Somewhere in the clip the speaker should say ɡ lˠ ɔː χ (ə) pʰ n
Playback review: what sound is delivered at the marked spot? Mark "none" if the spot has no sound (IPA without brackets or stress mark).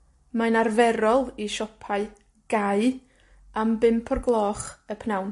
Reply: ə